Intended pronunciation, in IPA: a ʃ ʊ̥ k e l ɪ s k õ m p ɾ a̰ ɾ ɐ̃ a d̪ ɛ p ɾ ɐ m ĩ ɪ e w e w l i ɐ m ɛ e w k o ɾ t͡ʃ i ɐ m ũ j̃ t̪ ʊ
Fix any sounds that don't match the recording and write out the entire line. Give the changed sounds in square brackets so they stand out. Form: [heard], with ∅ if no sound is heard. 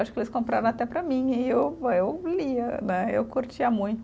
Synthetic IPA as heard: a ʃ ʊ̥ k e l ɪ s k õ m p ɾ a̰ ɾ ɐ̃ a [t̪] ɛ p ɾ ɐ m ĩ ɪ e w e w l i ɐ [n] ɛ e w k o ɾ t͡ʃ i ɐ m ũ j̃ t̪ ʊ

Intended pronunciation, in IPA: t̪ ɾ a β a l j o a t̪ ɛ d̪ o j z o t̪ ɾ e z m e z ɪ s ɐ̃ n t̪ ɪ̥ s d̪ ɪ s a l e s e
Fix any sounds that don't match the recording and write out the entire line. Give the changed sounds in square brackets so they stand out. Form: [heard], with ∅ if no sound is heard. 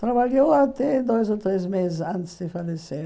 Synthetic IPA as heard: t̪ ɾ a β a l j o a t̪ ɛ d̪ o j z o t̪ ɾ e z m e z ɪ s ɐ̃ n t̪ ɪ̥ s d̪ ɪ [f] a l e s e

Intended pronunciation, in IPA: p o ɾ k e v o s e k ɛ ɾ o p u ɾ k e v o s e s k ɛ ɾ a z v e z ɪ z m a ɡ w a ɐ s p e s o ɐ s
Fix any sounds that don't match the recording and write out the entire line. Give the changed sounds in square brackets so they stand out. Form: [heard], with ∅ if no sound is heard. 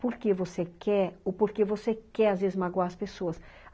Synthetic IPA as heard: p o ɾ k e v o s e k ɛ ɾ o p [o] ɾ k e v o s e [∅] k ɛ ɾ a z v e z ɪ z m a ɡ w a ɐ s p e s o ɐ s

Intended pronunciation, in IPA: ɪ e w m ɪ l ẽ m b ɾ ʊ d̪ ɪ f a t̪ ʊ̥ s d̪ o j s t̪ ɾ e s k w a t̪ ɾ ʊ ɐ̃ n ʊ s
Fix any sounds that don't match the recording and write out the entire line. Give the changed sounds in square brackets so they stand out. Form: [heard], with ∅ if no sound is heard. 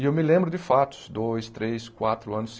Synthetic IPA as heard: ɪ e w m ɪ l ẽ m b ɾ ʊ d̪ ɪ f a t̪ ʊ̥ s d̪ o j s t̪ ɾ e s k w a t̪ ɾ ʊ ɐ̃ n ʊ s

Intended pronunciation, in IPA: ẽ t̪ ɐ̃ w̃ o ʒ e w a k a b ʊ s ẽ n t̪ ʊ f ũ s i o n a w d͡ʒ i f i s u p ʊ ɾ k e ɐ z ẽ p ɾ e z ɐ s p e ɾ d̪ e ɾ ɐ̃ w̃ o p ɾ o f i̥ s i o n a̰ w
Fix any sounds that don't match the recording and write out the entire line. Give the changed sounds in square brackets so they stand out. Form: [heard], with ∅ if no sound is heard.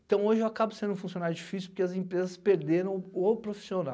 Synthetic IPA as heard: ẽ t̪ ɐ̃ w̃ o ʒ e w a k a b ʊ s ẽ n [d̪] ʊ f ũ s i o n a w d͡ʒ i f i s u p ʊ ɾ k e ɐ z ẽ p ɾ e z ɐ s p e ɾ d̪ e ɾ ɐ̃ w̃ o p ɾ o f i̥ s i o n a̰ w

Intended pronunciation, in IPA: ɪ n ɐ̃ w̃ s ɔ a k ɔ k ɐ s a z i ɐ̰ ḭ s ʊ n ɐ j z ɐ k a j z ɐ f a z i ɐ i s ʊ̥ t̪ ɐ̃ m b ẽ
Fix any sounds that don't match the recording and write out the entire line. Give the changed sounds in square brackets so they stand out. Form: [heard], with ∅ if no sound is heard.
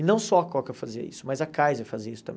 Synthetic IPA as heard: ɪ n ɐ̃ w̃ s ɔ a k ɔ k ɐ [f] a z i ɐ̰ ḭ s ʊ [m] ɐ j z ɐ k a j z ɐ f a z i ɐ i s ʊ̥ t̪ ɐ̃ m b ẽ

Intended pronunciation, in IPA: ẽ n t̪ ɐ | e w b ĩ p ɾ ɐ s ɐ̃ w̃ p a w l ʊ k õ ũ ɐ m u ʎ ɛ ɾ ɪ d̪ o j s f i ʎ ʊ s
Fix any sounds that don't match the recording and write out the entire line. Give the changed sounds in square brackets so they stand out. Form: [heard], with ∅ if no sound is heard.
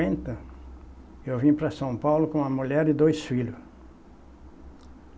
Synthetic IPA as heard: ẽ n t̪ ɐ | e w [v] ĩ p ɾ ɐ s ɐ̃ w̃ p a w l ʊ k õ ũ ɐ m u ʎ ɛ ɾ ɪ d̪ o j s f i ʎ ʊ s

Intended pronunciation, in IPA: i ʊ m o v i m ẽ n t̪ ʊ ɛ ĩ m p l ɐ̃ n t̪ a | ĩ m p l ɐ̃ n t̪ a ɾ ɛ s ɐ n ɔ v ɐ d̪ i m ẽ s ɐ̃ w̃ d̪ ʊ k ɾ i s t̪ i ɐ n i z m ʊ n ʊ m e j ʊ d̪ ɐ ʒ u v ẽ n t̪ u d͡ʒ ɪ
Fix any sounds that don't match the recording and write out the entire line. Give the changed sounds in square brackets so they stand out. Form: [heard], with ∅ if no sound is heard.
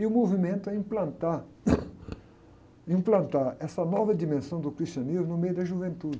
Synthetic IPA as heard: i ʊ m o v i m ẽ n t̪ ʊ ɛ ĩ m p l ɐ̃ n t̪ a | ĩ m p l ɐ̃ n t̪ a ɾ ɛ s ɐ n ɔ v ɐ d̪ i m ẽ s ɐ̃ w̃ d̪ ʊ k ɾ i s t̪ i ɐ n i z m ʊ n ʊ m e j ʊ d̪ ɐ ʒ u v ẽ n t̪ u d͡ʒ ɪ

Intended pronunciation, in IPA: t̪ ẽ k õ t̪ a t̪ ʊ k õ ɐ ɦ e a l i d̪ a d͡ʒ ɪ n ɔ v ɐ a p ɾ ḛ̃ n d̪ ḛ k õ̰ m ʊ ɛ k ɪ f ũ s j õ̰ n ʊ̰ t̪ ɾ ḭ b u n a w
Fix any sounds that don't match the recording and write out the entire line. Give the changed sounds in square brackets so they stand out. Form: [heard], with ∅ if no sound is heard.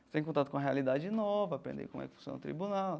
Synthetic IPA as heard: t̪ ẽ k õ t̪ a t̪ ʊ k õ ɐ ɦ e a l i d̪ a d͡ʒ ɪ n ɔ v ɐ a p ɾ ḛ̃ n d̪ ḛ k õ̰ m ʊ ɛ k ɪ f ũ s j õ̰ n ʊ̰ t̪ ɾ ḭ b u n a w

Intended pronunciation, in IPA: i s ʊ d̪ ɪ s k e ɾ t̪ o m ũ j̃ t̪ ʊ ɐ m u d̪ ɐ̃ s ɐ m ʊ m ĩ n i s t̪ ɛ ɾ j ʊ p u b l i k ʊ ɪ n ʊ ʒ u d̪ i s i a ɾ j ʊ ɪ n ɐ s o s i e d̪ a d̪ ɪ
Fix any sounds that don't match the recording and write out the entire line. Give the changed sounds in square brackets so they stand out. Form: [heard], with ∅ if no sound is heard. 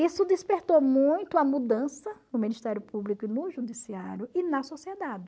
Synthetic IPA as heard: i s ʊ d̪ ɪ s [p] e ɾ t̪ o m ũ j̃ t̪ ʊ ɐ m u d̪ ɐ̃ s ɐ [n] ʊ m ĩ n i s t̪ ɛ ɾ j ʊ p u b l i k ʊ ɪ n ʊ ʒ u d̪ i s i a ɾ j ʊ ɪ n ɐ s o s i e d̪ a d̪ ɪ

